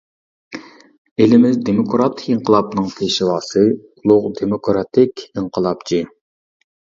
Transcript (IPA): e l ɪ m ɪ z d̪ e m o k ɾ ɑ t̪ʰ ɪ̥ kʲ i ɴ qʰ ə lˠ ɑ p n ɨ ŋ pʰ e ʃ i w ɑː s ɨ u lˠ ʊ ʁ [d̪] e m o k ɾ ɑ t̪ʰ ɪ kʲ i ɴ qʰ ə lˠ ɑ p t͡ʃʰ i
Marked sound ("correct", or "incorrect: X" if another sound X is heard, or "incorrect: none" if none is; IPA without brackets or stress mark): correct